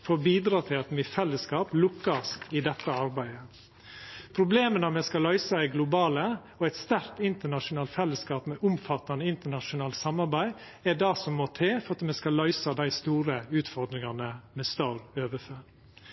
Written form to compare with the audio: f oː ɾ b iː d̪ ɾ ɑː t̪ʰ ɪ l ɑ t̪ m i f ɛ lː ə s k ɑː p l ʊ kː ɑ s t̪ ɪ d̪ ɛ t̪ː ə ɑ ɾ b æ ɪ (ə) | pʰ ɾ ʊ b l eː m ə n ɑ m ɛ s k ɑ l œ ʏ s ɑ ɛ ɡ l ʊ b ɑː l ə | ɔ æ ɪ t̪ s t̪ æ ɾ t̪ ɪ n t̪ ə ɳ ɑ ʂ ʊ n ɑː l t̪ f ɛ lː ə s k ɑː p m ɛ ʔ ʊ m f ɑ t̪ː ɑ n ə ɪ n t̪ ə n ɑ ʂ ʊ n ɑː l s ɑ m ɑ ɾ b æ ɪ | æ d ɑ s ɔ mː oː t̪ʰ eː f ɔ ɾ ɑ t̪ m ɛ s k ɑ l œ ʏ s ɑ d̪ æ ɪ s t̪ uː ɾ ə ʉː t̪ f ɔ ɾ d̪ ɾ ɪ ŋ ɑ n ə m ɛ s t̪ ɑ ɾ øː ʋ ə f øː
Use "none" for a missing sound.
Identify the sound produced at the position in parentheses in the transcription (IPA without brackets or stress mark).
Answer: ə